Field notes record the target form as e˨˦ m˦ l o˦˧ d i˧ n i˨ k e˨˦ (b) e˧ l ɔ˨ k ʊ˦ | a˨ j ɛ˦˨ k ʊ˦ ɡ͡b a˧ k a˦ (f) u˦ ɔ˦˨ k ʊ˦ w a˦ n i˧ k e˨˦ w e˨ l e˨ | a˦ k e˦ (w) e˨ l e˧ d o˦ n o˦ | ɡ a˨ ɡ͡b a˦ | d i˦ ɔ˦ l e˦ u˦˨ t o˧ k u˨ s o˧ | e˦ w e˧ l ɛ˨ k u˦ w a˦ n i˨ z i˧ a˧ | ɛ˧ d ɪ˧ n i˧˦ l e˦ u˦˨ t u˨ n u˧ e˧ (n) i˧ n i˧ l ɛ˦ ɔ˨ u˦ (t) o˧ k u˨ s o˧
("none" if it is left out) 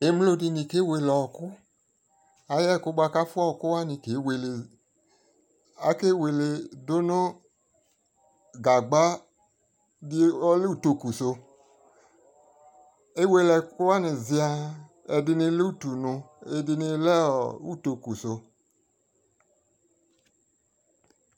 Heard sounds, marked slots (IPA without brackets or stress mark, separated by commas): w, f, w, d, t